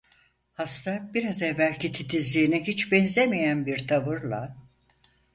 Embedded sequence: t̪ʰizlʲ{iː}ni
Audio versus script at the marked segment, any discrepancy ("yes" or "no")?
no